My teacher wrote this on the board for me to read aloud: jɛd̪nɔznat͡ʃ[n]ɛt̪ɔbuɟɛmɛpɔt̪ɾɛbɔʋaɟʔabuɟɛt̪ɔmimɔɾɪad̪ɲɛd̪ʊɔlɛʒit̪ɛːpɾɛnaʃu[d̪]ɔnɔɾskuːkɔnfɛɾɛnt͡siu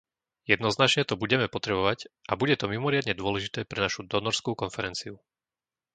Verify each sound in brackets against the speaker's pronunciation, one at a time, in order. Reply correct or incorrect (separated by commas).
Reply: incorrect, correct